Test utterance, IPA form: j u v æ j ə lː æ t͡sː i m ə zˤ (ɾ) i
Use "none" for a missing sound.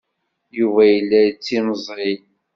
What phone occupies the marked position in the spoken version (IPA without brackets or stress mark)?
ɾ